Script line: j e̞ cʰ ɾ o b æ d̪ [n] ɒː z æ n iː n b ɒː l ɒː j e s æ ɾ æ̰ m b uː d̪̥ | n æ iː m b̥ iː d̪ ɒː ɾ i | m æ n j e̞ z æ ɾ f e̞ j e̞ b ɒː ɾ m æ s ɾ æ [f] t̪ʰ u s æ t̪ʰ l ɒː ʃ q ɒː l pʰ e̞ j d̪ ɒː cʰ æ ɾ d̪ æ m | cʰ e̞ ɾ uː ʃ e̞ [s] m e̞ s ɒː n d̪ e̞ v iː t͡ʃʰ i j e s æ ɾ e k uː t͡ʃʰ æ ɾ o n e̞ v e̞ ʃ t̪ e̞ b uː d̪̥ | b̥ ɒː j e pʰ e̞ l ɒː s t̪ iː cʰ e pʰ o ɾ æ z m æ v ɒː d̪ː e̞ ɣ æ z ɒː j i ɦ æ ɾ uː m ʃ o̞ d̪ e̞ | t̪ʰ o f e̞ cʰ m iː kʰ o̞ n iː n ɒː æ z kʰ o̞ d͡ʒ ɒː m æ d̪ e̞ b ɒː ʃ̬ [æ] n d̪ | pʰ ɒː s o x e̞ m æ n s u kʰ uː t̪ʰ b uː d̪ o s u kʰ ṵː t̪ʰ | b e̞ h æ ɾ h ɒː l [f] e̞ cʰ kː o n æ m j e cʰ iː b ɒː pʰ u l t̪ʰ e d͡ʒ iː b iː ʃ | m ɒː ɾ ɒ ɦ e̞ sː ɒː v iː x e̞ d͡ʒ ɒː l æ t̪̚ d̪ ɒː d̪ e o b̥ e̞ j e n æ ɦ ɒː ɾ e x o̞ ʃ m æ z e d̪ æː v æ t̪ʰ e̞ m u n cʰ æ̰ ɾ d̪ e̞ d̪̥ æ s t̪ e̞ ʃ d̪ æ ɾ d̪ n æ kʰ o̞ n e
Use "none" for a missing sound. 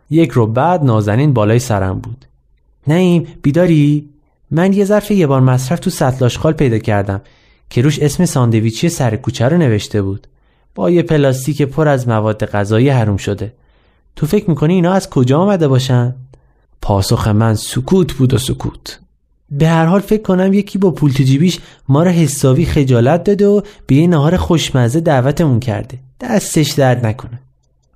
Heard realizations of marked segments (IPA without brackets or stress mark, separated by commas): n, f, s, æ, f